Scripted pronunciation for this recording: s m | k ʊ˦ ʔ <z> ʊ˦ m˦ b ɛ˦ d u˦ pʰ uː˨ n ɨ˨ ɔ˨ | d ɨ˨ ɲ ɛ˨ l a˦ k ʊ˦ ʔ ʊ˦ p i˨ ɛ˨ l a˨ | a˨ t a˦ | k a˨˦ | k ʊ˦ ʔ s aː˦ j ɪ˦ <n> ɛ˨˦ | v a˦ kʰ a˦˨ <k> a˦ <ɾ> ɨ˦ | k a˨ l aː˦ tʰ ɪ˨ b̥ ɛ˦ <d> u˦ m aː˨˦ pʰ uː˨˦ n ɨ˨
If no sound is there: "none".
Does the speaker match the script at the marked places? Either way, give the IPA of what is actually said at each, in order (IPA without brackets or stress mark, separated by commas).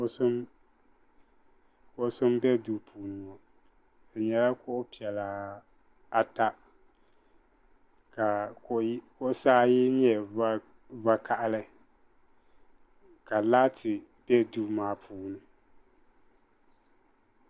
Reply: s, ɲ, ʔ, l, d